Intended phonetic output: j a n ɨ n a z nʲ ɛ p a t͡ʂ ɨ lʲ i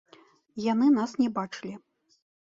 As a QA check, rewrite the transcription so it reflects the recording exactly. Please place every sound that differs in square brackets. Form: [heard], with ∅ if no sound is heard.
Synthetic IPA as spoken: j a n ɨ n a [s] nʲ ɛ [b] a t͡ʂ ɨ lʲ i